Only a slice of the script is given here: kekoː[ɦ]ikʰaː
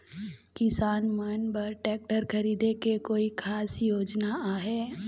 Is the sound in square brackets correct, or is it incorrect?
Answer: incorrect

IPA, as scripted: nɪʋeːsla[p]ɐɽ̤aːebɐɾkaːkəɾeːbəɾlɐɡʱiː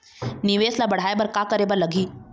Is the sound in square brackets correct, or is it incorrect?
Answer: incorrect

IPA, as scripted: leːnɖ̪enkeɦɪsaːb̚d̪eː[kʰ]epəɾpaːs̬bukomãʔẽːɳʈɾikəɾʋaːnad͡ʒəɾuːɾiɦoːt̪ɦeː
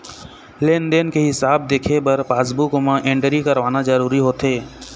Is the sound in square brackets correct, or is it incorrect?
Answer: correct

